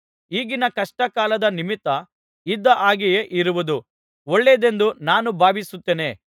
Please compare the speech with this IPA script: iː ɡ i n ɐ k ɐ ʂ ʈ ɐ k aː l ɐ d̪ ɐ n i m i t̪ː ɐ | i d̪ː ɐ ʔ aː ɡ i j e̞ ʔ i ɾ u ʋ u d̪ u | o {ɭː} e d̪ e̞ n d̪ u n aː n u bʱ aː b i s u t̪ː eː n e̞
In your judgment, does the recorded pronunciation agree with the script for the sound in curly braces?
yes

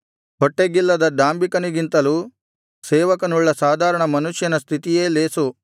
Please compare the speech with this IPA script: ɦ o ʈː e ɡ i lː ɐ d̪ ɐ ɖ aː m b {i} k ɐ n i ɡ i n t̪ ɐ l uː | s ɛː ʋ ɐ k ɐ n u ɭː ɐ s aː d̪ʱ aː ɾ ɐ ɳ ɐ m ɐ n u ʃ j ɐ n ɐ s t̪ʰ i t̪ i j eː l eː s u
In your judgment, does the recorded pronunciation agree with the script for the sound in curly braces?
yes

